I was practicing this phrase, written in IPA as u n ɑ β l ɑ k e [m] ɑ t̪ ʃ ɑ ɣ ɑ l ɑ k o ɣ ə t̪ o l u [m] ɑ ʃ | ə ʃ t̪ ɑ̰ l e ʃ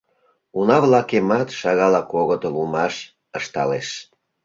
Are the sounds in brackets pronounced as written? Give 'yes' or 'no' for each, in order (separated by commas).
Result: yes, yes